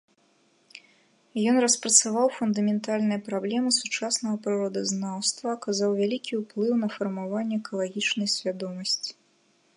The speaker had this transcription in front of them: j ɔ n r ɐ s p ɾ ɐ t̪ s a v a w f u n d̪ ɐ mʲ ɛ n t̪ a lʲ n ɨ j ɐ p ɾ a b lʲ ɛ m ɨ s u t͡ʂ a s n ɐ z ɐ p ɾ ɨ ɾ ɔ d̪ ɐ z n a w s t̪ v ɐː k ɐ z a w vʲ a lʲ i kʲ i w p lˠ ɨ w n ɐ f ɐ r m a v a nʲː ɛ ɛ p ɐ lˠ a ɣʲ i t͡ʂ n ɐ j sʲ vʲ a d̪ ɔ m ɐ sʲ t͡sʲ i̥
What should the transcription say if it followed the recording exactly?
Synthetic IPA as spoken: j ɔ n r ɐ s p ɾ ɐ t̪ s a v a w f u n d̪ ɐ mʲ ɛ n t̪ a lʲ n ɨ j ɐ p ɾ a b lʲ ɛ m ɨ s u t͡ʂ a s n ɐ ɣ ɐ p ɾ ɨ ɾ ɔ d̪ ɐ z n a w s t̪ v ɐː k a z a w vʲ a lʲ i kʲ i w p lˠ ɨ w n ɐ f ɐ r m a v a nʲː ɛ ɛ k ɐ lˠ a ɣʲ i t͡ʂ n ɐ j sʲ vʲ a d̪ ɔ m ɐ sʲ t͡sʲ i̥